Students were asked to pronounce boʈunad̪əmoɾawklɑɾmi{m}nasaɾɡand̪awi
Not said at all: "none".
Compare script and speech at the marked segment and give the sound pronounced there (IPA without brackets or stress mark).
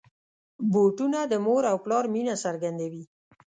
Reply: none